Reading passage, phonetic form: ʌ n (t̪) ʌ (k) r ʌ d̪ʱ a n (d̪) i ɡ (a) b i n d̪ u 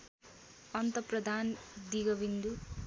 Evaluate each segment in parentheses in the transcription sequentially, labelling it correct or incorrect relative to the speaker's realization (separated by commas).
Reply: correct, incorrect, correct, incorrect